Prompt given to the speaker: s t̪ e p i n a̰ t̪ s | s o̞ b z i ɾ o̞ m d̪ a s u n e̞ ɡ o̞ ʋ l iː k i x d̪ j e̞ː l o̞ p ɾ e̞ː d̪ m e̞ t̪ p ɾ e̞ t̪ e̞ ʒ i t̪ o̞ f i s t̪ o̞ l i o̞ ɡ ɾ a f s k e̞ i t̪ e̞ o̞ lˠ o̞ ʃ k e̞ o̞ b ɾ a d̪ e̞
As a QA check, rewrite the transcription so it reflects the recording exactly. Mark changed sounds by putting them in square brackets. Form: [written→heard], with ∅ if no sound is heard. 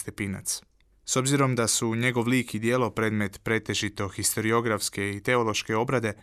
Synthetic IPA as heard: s t̪ e p i n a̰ t̪ s | s o̞ b z i ɾ o̞ m d̪ a s u [n→ɲ] e̞ ɡ o̞ ʋ l iː k i [x→∅] d̪ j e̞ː l o̞ p ɾ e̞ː d̪ m e̞ t̪ p ɾ e̞ t̪ e̞ ʒ i t̪ o̞ [f→x] i s t̪ o̞ [l→ɾ] i o̞ ɡ ɾ a f s k e̞ i t̪ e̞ o̞ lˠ o̞ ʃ k e̞ o̞ b ɾ a d̪ e̞